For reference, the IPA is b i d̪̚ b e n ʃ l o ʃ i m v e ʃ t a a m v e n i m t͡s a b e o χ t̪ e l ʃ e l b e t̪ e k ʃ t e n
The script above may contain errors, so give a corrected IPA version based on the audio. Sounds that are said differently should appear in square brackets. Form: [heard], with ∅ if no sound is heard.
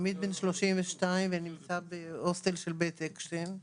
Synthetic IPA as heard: [m] i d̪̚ b e n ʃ l o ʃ i m v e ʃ t a [i] m v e n i m t͡s a b e o [s] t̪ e l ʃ e l b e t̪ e k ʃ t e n